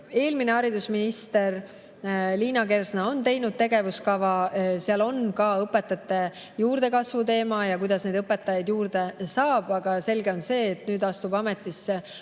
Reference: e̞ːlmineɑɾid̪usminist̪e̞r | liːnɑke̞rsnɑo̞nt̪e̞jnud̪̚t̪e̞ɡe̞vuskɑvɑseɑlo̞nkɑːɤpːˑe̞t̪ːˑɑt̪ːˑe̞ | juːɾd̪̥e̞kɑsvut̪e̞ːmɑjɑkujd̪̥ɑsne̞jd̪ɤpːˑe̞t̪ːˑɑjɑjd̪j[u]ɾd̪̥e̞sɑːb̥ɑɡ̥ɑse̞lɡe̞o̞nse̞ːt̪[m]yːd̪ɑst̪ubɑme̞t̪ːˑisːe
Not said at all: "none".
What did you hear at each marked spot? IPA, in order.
uː, n

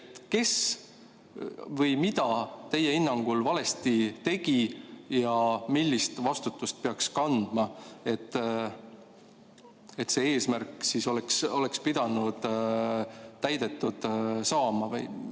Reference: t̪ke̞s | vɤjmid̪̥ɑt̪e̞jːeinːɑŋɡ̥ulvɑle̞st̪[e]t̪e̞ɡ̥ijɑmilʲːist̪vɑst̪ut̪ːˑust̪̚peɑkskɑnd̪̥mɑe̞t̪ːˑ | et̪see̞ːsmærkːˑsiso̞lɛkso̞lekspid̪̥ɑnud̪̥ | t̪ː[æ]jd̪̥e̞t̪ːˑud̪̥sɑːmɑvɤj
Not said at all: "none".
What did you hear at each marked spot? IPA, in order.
i, æ

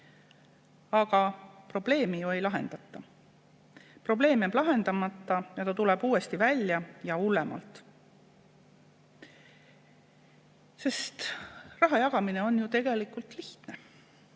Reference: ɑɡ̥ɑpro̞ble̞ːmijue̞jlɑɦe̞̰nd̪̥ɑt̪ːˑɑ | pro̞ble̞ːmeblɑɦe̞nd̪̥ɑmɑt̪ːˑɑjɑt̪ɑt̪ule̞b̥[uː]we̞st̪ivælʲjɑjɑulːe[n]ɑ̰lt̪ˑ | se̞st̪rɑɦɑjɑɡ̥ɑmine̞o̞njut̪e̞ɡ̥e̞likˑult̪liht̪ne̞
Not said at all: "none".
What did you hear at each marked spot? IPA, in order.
uː, m

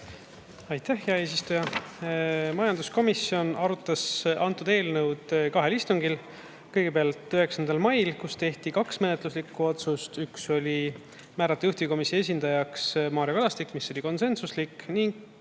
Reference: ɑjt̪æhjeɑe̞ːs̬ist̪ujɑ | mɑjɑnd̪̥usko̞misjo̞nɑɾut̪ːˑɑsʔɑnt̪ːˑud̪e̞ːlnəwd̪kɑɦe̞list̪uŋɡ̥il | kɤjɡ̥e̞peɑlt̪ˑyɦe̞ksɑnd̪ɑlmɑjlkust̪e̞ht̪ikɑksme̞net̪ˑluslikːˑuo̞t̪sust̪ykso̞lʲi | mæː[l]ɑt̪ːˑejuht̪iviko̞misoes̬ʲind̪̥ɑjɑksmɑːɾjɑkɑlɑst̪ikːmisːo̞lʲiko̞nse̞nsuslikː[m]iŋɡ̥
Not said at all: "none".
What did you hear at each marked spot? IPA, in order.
ɾ, n

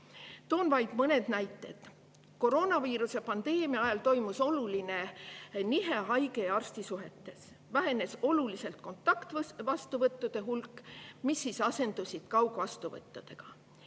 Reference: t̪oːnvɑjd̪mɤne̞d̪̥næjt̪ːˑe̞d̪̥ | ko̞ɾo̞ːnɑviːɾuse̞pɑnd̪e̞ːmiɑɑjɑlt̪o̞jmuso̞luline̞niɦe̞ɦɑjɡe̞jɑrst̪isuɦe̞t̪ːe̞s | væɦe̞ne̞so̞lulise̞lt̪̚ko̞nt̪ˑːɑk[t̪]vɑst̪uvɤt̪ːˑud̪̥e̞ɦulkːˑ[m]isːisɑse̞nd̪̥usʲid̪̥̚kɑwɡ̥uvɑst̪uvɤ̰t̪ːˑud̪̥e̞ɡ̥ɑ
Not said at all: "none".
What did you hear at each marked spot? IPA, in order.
t̪, m

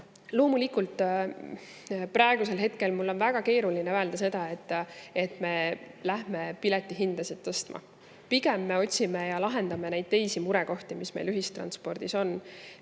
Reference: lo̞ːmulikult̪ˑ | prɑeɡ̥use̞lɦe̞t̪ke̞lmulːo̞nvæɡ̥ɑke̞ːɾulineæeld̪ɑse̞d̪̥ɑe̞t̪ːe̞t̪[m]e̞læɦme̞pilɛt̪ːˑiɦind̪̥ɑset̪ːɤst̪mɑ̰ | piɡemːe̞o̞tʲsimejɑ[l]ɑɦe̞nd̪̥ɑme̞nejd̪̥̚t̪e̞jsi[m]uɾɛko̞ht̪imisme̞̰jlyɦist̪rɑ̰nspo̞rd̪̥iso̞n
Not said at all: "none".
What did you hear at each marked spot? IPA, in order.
m, l, m

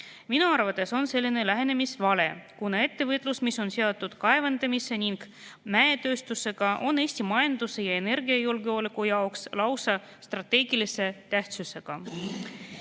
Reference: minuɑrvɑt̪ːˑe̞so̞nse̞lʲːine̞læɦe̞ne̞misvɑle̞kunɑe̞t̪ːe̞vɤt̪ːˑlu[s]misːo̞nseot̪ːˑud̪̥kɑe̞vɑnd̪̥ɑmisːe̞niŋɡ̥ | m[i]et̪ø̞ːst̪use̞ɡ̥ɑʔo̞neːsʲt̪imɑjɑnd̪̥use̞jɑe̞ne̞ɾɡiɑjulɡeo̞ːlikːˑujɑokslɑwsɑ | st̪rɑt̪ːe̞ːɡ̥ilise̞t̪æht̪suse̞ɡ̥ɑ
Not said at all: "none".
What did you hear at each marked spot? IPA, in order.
s, æ

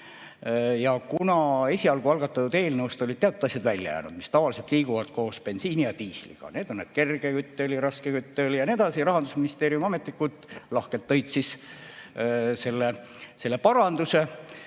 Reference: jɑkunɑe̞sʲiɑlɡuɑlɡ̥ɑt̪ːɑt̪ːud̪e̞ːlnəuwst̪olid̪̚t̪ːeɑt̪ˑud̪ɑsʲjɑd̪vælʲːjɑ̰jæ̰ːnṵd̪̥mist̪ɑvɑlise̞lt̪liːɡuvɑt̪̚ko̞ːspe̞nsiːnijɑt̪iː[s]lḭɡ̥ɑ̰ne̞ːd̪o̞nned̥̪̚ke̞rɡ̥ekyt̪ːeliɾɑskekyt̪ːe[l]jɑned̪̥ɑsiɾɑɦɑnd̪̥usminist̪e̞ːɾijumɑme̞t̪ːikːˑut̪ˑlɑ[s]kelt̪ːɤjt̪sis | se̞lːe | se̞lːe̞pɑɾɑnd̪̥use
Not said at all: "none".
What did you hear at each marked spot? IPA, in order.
s, l, h

